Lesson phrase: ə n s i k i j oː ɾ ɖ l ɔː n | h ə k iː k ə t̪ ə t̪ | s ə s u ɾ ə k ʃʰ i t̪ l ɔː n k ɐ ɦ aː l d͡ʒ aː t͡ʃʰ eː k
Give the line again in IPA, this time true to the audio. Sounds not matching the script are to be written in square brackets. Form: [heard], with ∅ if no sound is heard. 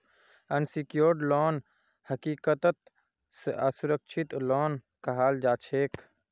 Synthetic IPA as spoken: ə n s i k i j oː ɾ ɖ l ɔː n | h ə k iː k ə t̪ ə t̪ | s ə s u ɾ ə k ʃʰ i t̪ l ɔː n k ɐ ɦ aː l d͡ʒ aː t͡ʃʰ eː k

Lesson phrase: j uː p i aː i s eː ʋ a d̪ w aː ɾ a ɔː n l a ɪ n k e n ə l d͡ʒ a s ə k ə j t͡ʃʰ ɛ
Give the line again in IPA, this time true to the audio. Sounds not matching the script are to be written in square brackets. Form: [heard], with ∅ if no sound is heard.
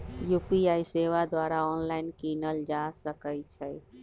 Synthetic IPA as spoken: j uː p i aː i s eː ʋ a d̪ w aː ɾ a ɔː n l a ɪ n k [i] n ə l d͡ʒ a s ə k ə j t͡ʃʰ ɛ

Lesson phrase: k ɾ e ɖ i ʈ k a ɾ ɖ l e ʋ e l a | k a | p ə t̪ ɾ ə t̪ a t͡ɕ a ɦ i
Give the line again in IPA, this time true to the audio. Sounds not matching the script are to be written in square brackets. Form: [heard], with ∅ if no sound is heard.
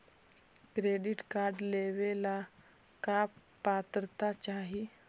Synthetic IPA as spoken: k ɾ e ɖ i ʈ k a ɾ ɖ l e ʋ e l a | k a | p [a] t̪ ɾ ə t̪ a t͡ɕ a ɦ i

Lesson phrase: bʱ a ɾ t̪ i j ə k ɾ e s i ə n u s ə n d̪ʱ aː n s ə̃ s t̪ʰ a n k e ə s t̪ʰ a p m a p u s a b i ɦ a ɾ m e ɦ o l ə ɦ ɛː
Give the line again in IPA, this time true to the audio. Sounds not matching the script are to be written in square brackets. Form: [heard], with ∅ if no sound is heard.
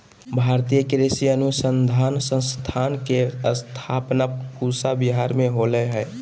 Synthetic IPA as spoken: bʱ a ɾ t̪ i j ə k ɾ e s i ə n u s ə n d̪ʱ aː n s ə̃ s t̪ʰ a n k e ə s t̪ʰ a p [n] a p u s a b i ɦ a ɾ m e ɦ o l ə ɦ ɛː

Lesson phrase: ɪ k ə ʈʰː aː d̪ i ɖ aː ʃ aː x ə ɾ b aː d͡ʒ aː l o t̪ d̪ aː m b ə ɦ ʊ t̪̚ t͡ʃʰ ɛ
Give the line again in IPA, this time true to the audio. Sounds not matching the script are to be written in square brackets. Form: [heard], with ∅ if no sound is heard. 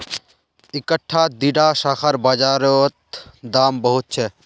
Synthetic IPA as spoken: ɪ k ə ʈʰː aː d̪ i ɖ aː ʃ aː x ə ɾ b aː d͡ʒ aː [ɾ] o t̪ d̪ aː m b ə ɦ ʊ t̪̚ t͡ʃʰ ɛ

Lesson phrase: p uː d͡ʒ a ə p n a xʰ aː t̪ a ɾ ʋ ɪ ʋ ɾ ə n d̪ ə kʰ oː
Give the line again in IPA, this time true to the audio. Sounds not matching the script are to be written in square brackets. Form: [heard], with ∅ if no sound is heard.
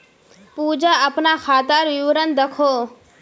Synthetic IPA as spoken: p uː d͡ʒ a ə p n a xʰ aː t̪ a ɾ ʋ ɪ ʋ ɾ ə n d̪ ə kʰ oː

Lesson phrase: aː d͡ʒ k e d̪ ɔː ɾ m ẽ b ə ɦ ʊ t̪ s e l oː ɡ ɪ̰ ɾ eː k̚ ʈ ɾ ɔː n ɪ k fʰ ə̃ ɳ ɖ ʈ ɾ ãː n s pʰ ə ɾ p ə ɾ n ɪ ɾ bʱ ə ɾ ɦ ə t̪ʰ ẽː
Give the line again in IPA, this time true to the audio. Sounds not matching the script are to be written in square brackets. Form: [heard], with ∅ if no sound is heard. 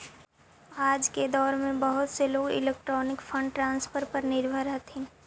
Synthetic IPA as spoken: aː d͡ʒ k e d̪ ɔː ɾ m ẽ b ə ɦ ʊ t̪ s e l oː ɡ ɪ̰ [l] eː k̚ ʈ ɾ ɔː n ɪ k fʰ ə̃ ɳ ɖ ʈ ɾ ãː n s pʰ ə ɾ p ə ɾ n ɪ ɾ bʱ ə ɾ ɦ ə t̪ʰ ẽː

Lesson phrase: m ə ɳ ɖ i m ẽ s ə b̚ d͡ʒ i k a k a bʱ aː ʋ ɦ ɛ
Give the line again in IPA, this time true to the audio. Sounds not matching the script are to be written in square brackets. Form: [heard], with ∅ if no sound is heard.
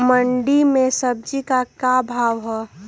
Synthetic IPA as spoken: m ə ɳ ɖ i m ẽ s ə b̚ d͡ʒ i k a k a bʱ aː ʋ ɦ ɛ

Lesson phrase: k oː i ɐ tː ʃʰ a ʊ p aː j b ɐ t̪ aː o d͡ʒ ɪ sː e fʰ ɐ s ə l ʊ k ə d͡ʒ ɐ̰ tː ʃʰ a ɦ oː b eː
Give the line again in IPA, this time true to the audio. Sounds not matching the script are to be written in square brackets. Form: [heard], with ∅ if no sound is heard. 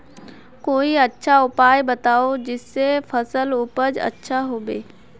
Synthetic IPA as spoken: k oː i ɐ tː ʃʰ a ʊ p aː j b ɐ t̪ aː o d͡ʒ ɪ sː e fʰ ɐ s ə l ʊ [p] ə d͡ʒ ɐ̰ tː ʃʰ a ɦ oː b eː

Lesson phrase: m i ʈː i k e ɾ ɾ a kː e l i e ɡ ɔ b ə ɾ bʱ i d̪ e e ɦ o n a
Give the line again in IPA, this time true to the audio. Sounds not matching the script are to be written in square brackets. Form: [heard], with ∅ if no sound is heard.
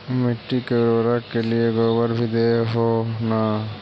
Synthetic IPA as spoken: m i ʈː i k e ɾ ɾ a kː e l i e ɡ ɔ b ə ɾ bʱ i d̪ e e ɦ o n a

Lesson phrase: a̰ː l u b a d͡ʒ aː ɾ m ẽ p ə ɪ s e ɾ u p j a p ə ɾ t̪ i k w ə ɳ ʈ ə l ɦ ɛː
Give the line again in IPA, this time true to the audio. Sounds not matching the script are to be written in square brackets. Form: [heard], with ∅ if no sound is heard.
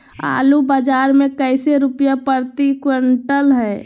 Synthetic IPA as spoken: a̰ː l u b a d͡ʒ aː ɾ m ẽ [k] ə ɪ s e ɾ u p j a p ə ɾ t̪ i k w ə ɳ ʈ ə l ɦ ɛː

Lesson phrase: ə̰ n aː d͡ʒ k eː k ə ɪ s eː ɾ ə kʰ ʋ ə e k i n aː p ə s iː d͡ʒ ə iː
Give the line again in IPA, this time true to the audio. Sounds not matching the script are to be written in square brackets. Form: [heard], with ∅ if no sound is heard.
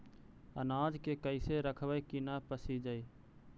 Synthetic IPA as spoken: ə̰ n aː d͡ʒ k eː k ə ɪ s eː ɾ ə kʰ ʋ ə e k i n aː p ə s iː d͡ʒ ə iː

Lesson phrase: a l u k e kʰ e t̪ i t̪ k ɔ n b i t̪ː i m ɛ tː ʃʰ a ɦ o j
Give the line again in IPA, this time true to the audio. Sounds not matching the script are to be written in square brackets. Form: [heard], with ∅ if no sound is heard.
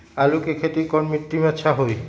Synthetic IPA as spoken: a l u k e kʰ e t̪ i [∅] k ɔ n [m] i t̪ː i m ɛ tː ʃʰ a ɦ o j

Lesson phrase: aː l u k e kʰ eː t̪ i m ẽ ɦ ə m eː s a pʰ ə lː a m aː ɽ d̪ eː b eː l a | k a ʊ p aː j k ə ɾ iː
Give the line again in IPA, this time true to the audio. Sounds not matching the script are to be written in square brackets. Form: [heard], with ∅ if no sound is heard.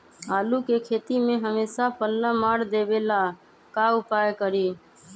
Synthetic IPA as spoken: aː l u k e kʰ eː t̪ i m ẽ ɦ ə m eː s a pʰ ə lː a m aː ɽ d̪ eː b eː l a | k a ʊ p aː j k ə ɾ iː

